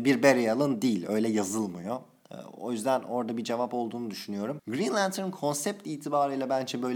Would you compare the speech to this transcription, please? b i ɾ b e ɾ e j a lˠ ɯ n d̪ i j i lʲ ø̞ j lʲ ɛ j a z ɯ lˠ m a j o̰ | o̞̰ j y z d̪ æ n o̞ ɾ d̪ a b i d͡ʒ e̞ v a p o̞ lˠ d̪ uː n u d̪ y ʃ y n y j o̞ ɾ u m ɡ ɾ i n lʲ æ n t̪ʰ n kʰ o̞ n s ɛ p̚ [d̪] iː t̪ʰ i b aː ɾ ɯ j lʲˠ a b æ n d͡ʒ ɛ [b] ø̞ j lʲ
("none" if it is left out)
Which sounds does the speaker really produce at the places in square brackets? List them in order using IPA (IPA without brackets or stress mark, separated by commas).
t̪, b